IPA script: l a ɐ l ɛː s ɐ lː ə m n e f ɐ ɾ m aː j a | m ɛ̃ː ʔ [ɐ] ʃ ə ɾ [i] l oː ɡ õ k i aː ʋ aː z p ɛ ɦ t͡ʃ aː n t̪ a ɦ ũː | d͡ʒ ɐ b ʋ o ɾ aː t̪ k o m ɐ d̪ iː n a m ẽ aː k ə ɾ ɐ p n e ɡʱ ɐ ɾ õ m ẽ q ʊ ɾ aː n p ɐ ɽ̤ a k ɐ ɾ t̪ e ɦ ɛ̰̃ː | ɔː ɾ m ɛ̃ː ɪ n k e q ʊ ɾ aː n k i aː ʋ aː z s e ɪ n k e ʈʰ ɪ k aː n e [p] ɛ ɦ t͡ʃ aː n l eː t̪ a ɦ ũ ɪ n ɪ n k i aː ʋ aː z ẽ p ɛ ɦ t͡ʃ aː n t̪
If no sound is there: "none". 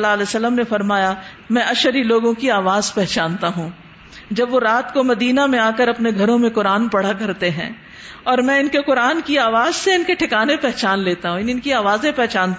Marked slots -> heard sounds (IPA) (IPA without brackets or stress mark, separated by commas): ɐ, i, p